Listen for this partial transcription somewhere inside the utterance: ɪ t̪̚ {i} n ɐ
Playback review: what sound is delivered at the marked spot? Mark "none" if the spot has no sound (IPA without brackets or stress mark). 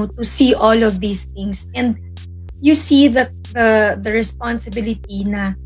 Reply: i